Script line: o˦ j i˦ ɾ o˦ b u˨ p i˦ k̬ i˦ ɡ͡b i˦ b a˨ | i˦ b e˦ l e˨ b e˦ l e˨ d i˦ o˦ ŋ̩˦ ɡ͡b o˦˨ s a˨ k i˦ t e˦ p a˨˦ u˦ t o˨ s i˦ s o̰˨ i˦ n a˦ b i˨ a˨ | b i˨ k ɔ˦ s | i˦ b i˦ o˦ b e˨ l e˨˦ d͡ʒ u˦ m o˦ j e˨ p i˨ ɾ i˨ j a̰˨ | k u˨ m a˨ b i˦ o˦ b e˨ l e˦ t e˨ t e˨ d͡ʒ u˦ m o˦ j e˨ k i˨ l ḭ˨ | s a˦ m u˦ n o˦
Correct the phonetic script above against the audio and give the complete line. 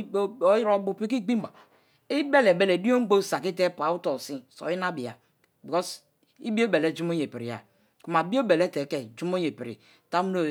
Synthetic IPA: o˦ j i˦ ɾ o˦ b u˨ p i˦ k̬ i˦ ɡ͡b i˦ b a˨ | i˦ b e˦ l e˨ b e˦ l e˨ d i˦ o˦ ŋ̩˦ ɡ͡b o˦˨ s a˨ k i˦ t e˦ p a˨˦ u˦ t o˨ s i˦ s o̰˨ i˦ n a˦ b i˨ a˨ | b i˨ k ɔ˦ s | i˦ b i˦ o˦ b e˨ l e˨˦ d͡ʒ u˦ m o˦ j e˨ p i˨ ɾ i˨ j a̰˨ | k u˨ m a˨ b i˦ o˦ b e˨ l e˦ t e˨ k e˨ d͡ʒ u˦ m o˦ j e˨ p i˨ ɾ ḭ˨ | t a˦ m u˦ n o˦

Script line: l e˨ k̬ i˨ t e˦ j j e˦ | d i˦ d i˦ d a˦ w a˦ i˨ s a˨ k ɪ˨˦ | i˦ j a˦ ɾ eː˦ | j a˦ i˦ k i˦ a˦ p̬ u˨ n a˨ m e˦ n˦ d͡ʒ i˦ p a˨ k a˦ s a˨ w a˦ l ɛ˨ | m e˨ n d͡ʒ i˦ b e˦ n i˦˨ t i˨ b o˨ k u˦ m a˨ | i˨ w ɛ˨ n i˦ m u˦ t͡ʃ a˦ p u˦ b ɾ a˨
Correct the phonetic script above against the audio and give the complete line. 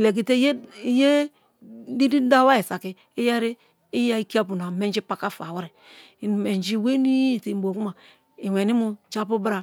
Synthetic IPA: l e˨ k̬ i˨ t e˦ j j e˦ | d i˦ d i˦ d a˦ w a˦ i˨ s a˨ k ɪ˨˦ | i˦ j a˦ ɾ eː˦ | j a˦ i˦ k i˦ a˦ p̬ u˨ n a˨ m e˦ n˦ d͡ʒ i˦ p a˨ k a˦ f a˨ w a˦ ɾ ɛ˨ | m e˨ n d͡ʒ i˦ w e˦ n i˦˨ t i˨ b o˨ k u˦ m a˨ | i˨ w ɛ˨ n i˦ m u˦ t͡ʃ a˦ p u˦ b ɾ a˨

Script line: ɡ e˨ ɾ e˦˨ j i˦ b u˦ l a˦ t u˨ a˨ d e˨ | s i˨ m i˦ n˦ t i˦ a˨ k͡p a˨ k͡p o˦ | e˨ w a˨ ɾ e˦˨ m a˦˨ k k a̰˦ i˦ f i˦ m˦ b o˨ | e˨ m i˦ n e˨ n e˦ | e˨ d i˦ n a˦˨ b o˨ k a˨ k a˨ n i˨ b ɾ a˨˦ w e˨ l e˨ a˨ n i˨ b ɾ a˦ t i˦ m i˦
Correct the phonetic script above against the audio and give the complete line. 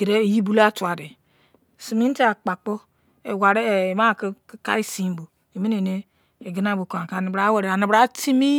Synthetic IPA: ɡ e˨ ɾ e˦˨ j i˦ b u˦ l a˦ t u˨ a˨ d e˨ | s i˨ m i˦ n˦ t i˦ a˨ k͡p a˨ k͡p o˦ | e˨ w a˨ ɾ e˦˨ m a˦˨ k k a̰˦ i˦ s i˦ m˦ b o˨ | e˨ m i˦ n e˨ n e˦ | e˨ ɡ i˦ n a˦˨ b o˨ k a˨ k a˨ n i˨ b ɾ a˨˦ w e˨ ɾ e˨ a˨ n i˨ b ɾ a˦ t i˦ m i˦

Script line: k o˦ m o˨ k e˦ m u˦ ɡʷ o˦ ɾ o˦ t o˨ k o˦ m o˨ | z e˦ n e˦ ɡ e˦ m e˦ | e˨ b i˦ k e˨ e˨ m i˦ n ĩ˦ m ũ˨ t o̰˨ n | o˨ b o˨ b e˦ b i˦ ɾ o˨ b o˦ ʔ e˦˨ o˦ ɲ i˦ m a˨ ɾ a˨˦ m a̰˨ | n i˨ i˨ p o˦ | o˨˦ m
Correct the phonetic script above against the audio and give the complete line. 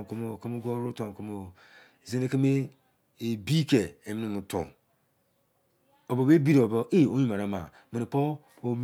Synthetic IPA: k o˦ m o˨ k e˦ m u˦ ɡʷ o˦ ɾ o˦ t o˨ k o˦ m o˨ | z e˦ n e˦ k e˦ m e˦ | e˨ b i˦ k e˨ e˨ m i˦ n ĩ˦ m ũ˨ t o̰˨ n | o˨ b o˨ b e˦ b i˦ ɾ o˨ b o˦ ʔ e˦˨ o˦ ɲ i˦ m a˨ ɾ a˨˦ m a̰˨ | m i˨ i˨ p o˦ | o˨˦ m

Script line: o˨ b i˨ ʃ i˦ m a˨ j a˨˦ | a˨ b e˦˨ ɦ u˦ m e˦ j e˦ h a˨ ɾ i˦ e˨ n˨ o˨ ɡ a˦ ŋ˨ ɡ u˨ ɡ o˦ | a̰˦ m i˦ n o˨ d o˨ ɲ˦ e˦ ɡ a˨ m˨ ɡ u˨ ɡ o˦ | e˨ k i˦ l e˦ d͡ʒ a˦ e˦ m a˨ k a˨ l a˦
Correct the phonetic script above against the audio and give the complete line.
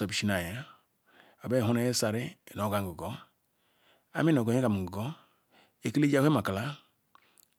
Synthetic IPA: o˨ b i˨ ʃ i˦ n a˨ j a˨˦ | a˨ b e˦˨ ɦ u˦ n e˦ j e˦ s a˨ ɾ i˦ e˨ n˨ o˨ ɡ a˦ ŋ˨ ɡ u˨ ɡ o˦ | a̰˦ m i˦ n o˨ ɡ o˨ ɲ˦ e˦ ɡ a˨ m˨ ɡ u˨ ɡ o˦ | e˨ k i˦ l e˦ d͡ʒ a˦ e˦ m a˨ k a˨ l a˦

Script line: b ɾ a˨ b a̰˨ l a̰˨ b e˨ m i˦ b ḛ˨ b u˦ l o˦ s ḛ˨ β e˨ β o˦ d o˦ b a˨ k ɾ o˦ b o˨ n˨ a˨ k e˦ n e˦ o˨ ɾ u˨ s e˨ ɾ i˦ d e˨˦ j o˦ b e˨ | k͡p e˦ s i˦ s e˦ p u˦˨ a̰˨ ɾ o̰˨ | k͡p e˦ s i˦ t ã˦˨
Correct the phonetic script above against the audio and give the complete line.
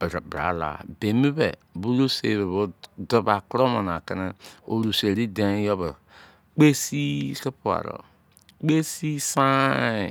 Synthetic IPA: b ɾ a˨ b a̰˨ l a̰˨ b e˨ m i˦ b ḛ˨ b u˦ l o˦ s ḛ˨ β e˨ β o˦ d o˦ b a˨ k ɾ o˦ m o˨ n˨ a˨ k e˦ n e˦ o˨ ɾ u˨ s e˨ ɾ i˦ d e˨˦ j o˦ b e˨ | k͡p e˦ s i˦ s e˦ p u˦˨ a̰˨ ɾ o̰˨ | k͡p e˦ s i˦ s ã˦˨

